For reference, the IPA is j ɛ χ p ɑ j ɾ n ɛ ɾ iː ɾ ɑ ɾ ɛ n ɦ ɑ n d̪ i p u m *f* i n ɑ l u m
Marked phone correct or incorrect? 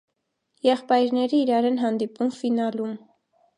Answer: correct